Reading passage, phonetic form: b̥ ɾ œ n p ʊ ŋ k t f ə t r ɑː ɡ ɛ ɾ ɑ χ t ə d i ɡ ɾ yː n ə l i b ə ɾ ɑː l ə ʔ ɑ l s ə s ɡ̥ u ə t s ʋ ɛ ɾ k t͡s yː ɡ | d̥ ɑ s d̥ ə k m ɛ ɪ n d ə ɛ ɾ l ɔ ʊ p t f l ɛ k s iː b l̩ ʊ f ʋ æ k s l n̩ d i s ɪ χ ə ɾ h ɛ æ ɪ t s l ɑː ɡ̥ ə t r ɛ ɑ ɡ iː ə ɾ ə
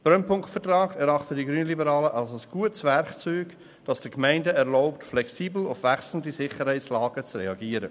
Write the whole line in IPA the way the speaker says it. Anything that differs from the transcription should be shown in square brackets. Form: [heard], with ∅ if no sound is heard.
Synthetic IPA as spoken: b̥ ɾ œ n p ʊ ŋ k t f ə t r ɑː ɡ ɛ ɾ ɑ χ t ə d i ɡ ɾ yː n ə l i b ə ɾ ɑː l ə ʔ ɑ l s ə s ɡ̥ u ə t s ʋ ɛ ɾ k t͡s yː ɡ | d̥ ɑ s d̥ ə k m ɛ ɪ n d ə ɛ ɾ l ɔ ʊ p t f l ɛ k s iː b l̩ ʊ f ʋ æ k s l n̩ d i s ɪ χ ə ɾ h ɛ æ ɪ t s l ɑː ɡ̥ ə [t͡s] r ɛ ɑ ɡ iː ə ɾ ə